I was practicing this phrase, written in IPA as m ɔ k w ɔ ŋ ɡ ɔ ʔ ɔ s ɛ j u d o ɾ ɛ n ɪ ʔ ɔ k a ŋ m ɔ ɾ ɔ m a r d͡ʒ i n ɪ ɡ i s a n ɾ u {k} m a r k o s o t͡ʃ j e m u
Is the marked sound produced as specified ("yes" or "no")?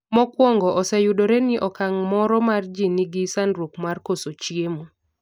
yes